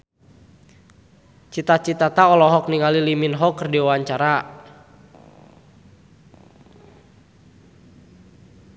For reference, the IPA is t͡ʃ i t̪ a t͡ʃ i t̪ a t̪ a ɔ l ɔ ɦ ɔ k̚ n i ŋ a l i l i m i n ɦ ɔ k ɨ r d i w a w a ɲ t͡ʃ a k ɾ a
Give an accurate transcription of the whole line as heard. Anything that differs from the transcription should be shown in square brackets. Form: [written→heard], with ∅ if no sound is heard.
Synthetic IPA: t͡ʃ i t̪ a t͡ʃ i t̪ a t̪ a ɔ l ɔ ɦ ɔ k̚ n i ŋ a l i l i m i n ɦ ɔ k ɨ r d i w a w a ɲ t͡ʃ a [k→∅] ɾ a